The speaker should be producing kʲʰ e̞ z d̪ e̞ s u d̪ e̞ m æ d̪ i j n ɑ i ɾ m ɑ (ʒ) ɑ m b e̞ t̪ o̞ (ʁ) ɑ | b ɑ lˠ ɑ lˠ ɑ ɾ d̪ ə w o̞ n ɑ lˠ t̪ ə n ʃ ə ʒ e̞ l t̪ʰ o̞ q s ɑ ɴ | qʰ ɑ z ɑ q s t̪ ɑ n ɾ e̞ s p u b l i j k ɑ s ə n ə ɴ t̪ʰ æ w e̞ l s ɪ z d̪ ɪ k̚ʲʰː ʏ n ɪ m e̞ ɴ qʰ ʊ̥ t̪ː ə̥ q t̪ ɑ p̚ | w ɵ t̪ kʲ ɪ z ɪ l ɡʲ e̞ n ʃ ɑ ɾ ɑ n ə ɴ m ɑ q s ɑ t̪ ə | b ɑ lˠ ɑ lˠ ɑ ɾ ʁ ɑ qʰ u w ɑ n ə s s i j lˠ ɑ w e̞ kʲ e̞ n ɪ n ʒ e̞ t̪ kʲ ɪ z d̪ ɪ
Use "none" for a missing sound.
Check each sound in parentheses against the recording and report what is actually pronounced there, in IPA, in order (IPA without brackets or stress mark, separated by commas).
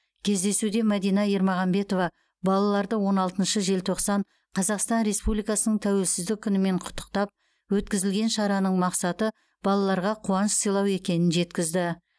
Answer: ʁ, v